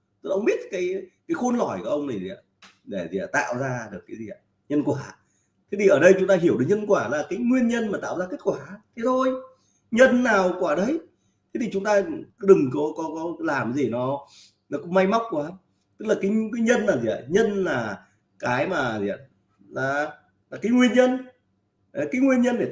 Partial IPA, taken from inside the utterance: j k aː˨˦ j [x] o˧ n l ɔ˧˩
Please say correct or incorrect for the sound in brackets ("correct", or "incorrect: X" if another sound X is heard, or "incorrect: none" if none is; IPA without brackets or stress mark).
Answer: correct